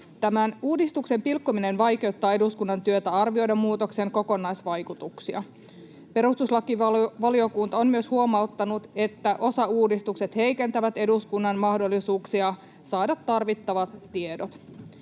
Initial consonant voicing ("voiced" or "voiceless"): voiceless